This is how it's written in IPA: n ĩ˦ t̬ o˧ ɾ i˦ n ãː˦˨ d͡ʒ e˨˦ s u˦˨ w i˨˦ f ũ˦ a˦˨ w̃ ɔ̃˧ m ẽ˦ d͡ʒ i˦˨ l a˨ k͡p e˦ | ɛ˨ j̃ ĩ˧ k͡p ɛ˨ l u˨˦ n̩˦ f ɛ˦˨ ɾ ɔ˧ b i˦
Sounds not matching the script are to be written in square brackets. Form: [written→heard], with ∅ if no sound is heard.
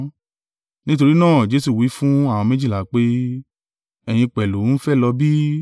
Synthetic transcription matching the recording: n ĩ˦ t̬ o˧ ɾ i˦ n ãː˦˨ d͡ʒ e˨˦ s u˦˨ w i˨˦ f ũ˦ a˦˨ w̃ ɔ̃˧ m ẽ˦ d͡ʒ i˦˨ l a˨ k͡p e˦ | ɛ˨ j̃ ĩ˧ k͡p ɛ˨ l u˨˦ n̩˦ f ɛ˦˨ [ɾ→l] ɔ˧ b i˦